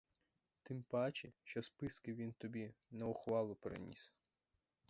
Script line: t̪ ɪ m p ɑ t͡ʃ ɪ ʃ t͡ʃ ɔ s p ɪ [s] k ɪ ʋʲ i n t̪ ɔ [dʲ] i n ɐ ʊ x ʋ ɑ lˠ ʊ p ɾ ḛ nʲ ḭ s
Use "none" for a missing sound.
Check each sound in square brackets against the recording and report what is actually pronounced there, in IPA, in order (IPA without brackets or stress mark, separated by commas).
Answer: s, bʲ